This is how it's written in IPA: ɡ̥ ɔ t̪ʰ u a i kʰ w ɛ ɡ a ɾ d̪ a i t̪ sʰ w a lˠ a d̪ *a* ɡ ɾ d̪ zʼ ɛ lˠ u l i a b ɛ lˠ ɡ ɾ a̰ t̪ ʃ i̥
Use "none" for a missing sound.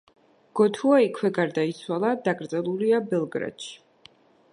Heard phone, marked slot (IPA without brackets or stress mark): a